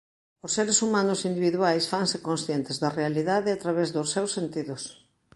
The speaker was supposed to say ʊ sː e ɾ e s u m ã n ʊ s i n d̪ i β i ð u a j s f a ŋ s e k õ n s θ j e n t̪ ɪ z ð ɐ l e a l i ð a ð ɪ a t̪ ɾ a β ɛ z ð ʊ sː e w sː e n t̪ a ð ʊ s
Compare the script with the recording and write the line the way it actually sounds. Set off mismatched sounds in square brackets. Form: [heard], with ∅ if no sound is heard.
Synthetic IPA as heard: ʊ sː e ɾ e s u m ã n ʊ s i n d̪ i β i ð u a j s f a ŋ s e k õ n s θ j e n t̪ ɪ z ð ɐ [r] e a l i ð a ð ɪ a t̪ ɾ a β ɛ z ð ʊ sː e w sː e n t̪ [i] ð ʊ s